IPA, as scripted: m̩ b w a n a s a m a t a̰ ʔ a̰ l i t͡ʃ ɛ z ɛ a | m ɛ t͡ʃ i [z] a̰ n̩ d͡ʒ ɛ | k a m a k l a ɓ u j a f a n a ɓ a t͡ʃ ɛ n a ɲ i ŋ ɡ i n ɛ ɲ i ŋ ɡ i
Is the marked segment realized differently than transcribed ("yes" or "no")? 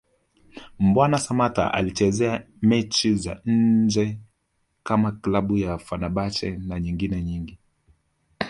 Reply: no